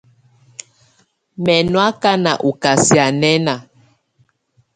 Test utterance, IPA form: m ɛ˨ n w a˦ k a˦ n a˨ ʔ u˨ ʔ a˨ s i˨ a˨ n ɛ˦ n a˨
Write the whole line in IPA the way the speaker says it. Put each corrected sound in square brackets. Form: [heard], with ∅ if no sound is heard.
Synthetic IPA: m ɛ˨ n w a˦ k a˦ n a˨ ʔ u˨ [k] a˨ s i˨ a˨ n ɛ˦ n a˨